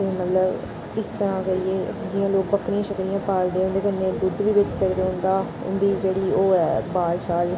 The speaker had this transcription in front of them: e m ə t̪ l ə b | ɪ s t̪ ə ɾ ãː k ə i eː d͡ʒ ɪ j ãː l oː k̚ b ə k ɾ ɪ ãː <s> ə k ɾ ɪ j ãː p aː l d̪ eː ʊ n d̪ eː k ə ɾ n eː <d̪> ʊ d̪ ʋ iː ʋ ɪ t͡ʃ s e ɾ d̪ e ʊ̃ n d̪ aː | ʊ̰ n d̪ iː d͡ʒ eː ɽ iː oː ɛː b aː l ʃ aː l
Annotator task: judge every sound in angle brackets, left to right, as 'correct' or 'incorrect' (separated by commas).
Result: incorrect, correct